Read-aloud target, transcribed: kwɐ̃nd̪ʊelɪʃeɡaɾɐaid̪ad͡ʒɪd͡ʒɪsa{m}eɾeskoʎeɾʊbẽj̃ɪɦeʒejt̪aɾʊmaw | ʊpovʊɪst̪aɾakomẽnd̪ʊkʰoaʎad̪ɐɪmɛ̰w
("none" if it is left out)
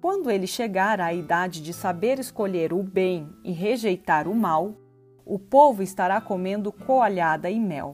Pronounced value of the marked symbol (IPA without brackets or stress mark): b